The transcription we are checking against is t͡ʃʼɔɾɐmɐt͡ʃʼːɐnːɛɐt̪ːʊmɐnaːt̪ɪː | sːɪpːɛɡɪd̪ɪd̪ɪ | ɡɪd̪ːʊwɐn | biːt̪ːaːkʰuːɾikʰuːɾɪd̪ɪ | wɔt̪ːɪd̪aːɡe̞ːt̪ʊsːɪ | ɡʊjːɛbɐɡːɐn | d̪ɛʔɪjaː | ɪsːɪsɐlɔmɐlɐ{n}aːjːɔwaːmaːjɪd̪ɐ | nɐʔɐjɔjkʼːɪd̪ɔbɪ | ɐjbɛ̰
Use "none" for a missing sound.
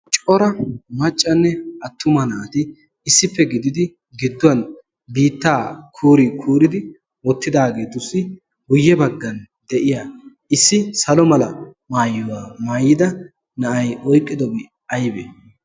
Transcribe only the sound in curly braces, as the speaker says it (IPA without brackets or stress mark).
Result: m